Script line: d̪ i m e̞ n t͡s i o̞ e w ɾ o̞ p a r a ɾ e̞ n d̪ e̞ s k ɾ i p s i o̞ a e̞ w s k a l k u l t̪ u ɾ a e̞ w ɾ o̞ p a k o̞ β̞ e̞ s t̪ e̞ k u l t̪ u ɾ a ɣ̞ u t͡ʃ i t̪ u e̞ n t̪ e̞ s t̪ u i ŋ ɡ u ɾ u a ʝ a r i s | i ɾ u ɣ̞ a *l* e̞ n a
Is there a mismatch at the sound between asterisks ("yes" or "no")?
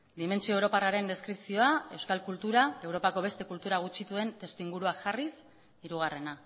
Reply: yes